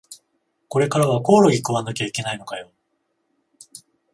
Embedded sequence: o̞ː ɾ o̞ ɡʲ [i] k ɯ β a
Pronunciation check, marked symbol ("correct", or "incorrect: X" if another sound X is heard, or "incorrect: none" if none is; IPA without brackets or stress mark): correct